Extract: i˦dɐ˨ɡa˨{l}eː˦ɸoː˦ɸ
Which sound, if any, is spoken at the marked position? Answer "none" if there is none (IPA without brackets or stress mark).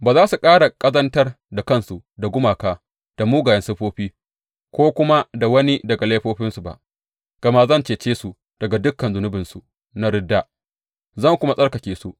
l